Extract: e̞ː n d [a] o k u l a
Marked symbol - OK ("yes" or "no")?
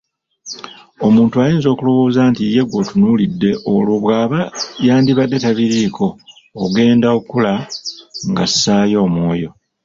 yes